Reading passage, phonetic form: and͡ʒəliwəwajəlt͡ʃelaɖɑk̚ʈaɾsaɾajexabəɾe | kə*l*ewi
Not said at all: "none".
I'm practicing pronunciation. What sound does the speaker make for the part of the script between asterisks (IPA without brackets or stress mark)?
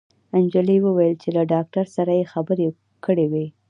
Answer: ɽ